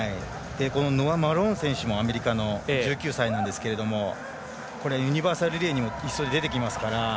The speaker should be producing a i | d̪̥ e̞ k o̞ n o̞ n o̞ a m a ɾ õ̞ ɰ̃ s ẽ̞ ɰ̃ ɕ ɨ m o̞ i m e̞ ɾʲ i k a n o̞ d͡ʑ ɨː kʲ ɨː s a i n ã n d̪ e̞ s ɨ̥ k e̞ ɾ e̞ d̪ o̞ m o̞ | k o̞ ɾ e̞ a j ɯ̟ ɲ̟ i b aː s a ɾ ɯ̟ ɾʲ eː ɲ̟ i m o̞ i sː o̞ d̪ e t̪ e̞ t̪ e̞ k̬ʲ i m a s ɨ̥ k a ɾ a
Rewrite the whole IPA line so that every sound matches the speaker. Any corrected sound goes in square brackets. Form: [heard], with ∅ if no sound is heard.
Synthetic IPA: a i | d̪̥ e̞ k o̞ n o̞ n o̞ a m a ɾ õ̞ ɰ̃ s ẽ̞ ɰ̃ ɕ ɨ m o̞ [a] m e̞ ɾʲ i k a n o̞ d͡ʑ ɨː kʲ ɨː s a i n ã n d̪ e̞ s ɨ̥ k e̞ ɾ e̞ d̪ o̞ m o̞ | k o̞ ɾ e̞ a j ɯ̟ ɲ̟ i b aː s a ɾ ɯ̟ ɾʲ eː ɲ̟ i m o̞ i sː o̞ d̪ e [d̪] e̞ t̪ e̞ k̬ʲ i m a s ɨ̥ k a ɾ a